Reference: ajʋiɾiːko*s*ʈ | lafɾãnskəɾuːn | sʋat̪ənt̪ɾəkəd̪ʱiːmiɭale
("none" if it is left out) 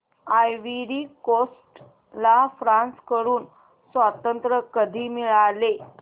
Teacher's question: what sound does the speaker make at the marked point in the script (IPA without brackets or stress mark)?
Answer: s